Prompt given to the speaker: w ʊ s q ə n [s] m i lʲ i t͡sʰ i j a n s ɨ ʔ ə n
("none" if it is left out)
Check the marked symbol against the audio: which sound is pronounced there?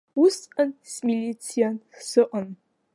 s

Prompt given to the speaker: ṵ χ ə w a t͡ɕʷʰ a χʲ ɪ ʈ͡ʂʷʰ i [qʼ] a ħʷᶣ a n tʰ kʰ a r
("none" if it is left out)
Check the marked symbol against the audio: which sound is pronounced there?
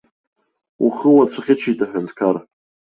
tʼ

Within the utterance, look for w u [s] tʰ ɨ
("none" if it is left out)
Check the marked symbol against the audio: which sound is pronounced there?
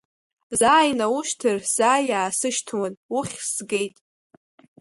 ʃ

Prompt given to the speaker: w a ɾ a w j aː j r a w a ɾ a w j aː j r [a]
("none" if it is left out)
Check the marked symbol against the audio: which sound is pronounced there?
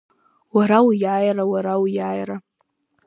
a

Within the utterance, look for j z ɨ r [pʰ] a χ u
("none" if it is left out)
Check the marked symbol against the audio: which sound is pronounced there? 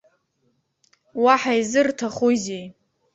tʰ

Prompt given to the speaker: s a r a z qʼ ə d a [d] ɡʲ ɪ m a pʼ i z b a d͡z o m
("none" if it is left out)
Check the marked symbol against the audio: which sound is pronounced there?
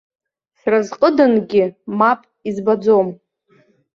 n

